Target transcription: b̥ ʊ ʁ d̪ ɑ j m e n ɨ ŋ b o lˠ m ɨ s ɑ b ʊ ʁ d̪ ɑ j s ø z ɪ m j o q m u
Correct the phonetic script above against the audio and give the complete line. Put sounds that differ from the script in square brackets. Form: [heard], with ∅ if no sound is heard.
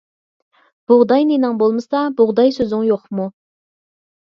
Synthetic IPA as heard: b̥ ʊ ʁ d̪ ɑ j [n] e n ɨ ŋ b o lˠ m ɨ s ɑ b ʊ ʁ d̪ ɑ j s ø z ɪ [ŋ] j o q m u